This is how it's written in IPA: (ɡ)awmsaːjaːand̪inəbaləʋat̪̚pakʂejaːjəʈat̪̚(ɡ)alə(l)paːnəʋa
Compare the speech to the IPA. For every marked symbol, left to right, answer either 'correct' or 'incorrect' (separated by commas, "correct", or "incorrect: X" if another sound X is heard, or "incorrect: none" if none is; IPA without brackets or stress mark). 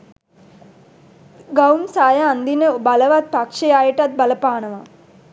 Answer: correct, incorrect: b, incorrect: none